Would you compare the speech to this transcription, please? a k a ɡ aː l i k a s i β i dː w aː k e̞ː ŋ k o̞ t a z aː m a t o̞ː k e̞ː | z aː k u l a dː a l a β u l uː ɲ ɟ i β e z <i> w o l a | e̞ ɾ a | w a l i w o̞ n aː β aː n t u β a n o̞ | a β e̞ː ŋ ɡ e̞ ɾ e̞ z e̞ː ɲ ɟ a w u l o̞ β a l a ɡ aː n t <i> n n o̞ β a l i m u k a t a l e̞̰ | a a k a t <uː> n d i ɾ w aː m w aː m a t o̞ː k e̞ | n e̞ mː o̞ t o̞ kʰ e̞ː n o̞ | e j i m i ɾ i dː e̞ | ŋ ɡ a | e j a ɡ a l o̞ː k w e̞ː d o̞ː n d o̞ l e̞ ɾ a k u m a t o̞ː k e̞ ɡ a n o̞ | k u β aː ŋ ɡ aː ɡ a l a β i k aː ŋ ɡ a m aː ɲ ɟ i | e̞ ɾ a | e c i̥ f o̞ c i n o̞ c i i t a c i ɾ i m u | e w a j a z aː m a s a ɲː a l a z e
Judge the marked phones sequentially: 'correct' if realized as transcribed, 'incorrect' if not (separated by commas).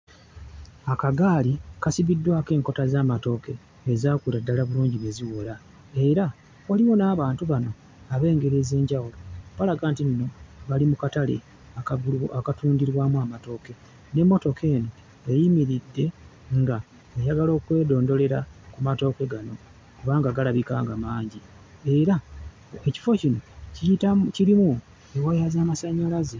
correct, correct, correct